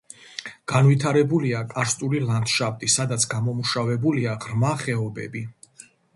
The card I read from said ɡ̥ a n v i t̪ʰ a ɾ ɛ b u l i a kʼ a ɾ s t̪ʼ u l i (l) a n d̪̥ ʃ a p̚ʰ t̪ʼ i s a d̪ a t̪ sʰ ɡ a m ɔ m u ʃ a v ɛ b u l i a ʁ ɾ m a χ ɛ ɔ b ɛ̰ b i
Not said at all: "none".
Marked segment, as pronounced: l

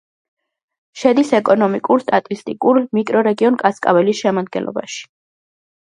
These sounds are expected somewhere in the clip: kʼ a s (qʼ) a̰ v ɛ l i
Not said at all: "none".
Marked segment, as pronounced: kʼ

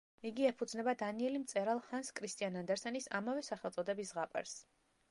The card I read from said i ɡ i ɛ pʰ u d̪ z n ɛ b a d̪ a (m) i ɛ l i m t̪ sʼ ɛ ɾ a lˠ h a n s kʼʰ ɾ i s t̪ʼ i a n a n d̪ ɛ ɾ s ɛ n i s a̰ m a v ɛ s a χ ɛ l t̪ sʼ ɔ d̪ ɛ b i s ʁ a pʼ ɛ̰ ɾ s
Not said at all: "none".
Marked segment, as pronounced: n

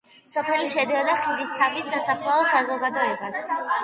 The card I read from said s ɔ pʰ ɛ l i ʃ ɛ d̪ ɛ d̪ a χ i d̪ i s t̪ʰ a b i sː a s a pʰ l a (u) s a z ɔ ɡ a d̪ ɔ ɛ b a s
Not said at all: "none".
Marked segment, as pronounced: ɔ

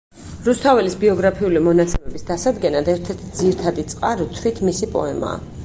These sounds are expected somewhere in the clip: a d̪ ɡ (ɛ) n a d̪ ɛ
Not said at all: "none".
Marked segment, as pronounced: ɛ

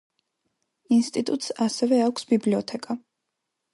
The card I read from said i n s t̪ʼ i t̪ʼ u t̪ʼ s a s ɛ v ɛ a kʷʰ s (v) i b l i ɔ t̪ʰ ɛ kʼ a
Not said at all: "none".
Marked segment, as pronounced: b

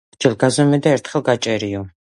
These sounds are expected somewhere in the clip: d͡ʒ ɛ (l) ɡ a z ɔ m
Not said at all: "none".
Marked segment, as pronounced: l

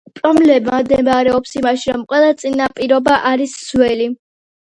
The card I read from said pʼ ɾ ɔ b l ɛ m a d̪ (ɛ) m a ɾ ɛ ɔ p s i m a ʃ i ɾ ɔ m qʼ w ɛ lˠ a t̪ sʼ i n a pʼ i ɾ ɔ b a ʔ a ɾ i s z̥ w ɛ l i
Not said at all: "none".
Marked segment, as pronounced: ɛ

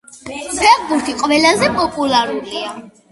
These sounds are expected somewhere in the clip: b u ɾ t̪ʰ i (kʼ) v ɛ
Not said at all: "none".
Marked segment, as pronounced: qʼ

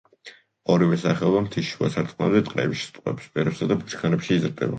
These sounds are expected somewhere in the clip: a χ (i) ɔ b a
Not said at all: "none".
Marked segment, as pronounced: ɛ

